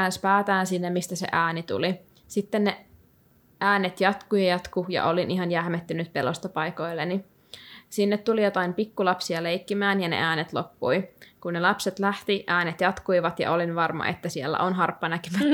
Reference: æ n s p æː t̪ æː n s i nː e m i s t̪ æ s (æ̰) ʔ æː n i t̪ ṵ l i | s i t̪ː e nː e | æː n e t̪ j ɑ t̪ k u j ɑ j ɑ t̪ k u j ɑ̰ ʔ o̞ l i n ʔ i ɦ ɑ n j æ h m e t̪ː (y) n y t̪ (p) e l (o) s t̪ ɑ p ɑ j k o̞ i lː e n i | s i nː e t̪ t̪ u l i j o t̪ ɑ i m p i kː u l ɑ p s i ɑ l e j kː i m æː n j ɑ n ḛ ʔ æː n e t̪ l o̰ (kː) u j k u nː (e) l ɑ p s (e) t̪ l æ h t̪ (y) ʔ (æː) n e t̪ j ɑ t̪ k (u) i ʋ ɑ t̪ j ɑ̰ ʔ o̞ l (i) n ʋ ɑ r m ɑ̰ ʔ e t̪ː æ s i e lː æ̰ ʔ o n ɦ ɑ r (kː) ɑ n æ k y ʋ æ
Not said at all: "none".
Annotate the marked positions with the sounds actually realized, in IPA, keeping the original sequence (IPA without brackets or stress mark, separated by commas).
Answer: ḛ, y, p, o, pː, e, e, i, æː, u, i, pː